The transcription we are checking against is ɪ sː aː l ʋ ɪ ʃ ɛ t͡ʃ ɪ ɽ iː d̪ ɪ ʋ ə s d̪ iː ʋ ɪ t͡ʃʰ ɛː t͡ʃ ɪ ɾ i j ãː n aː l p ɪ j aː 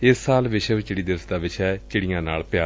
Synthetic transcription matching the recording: ɪ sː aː l ʋ ɪ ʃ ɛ t͡ʃ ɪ ɽ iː d̪ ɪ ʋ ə s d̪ aː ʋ ɪ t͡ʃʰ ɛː t͡ʃ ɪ ɽ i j ãː n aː l p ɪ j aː

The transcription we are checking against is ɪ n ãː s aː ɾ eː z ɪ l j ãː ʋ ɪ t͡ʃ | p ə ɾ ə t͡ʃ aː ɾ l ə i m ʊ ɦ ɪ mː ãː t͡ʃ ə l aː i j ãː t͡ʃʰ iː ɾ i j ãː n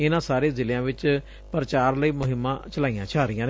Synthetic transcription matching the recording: ɪ n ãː s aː ɾ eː z ɪ l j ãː ʋ ɪ t͡ʃ | p ə ɾ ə t͡ʃ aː ɾ l ə iː m ʊ ɦ ɪ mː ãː t͡ʃ ə l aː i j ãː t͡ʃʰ aː ɾ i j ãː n

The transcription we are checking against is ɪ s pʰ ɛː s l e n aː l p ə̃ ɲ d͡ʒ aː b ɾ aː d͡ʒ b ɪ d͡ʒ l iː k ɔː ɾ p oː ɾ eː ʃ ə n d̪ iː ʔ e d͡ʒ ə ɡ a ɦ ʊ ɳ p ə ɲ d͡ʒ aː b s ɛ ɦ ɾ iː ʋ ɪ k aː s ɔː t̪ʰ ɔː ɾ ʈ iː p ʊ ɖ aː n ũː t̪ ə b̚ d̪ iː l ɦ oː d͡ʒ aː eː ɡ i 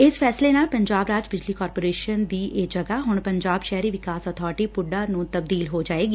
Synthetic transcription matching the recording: ɪ s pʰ ɛː s l e n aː l p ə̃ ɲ d͡ʒ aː b ɾ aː d͡ʒ b ɪ d͡ʒ l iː k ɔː ɾ p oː ɾ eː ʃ ə n d̪ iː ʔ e d͡ʒ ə ɡ a ɦ ʊ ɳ p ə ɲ d͡ʒ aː b ʃ ɛ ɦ ɾ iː ʋ ɪ k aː s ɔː t̪ʰ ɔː ɾ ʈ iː p ʊ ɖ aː n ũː t̪ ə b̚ d̪ iː l ɦ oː d͡ʒ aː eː ɡ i

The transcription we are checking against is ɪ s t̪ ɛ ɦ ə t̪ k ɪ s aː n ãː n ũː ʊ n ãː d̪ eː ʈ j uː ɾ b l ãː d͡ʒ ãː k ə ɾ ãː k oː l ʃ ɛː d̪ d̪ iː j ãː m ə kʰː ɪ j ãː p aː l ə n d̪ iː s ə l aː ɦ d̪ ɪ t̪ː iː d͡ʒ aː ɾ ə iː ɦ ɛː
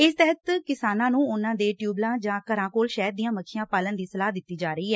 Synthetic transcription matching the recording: ɪ s t̪ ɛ ɦ ə t̪ k ɪ s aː n ãː n ũː ʊ n ãː d̪ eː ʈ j uː b l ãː d͡ʒ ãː k ə ɾ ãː k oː l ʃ ɛː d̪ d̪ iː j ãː m ə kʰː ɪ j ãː p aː l ə n d̪ iː s ə l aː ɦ d̪ ɪ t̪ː iː d͡ʒ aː ɾ ə iː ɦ ɛː

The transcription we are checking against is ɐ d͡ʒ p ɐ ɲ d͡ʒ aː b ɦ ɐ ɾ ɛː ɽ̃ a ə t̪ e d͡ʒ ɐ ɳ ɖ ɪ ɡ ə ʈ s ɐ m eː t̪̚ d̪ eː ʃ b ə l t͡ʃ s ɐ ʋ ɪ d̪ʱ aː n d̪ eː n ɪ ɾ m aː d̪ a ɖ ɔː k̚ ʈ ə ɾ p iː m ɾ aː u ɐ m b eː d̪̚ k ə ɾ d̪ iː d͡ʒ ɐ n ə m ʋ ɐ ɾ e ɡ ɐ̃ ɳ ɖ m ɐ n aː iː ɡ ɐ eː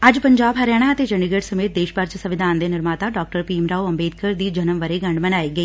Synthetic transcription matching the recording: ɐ d͡ʒ p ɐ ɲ d͡ʒ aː b ɦ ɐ ɾ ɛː ɽ̃ a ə t̪ e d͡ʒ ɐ ɳ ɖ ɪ ɡ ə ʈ s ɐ m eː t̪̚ d̪ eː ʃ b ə ɾ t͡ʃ s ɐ ʋ ɪ d̪ʱ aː n d̪ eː n ɪ ɾ m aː t̪ a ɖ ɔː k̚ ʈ ə ɾ p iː m ɾ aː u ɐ m b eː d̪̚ k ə ɾ d̪ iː d͡ʒ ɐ n ə m ʋ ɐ ɾ e ɡ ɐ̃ ɳ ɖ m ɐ n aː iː ɡ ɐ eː

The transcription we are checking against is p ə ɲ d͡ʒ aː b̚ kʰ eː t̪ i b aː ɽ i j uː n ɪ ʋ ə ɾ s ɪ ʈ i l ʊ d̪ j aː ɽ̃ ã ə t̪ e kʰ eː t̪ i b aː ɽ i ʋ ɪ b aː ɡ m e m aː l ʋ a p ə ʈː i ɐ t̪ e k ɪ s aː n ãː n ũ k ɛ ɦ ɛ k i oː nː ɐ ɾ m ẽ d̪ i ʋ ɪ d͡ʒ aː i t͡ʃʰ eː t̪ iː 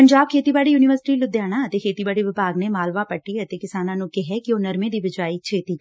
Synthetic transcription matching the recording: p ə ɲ d͡ʒ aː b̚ kʰ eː t̪ i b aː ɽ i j uː n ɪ ʋ ə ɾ s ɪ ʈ i l ʊ d̪ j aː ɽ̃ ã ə t̪ e kʰ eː t̪ i b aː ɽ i ʋ ɪ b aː ɡ n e m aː l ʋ a p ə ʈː i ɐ t̪ e k ɪ s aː n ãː n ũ k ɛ ɦ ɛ k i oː n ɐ ɾ m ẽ d̪ i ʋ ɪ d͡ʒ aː i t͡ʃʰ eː t̪ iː

